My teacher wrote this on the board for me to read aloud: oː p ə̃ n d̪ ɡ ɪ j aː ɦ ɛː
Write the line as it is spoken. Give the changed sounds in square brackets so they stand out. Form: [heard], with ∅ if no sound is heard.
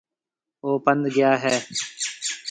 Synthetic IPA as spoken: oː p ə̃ n d̪ ɡ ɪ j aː ɦ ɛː